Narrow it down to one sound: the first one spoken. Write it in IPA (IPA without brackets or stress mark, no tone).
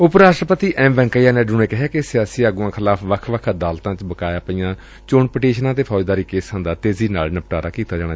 ʊ